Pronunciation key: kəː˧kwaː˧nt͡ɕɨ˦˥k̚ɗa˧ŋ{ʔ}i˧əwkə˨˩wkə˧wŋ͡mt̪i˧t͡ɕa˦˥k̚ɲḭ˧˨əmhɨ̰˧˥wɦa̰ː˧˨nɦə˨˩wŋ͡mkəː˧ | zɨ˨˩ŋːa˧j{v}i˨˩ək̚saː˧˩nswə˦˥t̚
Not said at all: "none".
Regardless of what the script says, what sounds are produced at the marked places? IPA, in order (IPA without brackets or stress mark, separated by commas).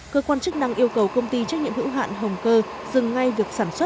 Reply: ʔ, v